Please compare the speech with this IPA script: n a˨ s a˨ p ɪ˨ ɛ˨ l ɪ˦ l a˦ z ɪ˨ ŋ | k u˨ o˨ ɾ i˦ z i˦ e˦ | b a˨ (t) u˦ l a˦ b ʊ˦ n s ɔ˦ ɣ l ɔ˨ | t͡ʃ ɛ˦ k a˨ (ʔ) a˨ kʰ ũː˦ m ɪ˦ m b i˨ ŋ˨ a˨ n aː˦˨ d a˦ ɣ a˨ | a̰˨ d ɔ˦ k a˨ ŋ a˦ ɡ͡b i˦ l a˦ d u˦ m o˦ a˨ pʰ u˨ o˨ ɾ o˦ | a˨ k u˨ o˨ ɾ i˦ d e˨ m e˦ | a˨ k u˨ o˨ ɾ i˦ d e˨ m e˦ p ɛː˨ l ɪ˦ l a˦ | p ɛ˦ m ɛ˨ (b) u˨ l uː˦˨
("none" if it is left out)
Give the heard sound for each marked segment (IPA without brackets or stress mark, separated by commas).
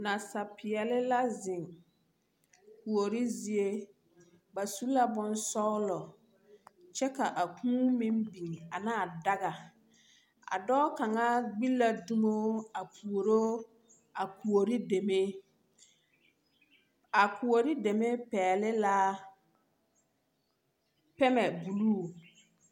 s, ʔ, b